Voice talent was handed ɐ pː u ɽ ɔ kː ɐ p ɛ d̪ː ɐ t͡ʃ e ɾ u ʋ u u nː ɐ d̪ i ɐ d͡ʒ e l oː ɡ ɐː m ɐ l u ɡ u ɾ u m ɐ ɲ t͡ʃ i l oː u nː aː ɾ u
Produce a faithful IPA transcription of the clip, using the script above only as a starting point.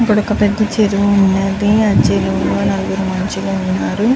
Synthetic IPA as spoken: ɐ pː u ɽ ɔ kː ɐ p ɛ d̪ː ɐ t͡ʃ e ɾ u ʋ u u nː ɐ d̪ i ɐ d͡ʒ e l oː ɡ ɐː n ɐ l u ɡ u ɾ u m ɐ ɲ t͡ʃ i l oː u nː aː ɾ u